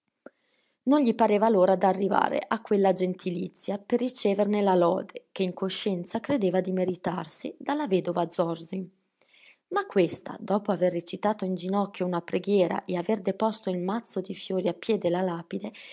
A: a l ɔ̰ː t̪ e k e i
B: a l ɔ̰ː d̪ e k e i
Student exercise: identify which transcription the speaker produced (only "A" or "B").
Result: B